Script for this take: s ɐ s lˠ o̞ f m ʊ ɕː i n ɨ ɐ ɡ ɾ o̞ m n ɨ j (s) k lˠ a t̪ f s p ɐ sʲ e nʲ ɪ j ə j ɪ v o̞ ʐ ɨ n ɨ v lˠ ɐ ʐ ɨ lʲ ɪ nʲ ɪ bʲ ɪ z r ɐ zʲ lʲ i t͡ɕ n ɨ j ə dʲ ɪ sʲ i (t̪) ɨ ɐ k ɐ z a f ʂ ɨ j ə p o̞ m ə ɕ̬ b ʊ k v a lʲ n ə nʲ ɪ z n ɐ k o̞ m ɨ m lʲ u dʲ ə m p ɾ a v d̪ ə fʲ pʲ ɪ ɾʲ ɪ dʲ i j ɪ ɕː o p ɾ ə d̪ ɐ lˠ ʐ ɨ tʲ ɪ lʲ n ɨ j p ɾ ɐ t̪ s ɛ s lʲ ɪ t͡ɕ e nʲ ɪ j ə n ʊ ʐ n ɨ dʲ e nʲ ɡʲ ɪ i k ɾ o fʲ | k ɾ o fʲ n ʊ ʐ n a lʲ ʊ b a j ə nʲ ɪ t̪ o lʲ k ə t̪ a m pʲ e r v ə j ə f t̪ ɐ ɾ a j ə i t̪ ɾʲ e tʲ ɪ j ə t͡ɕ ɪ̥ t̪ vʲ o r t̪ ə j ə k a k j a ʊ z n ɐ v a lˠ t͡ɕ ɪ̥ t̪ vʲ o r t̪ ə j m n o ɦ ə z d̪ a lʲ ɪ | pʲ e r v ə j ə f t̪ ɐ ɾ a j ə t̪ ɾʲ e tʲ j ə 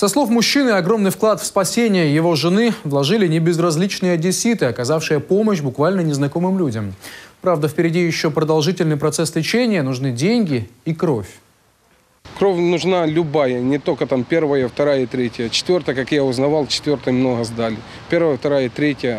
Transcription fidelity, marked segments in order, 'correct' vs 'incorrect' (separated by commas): incorrect, correct